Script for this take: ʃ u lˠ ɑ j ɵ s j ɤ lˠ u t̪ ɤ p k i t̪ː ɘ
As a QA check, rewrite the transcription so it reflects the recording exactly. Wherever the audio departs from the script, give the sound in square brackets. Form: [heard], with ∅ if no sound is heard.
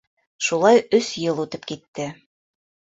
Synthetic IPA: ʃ u lˠ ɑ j ɵ s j ɤ lˠ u t̪ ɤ p k i t̪ː ɘ